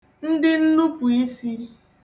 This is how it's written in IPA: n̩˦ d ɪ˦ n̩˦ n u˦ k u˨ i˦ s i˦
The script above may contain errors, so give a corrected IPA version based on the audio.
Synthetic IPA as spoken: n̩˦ d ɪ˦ n̩˦ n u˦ p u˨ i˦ s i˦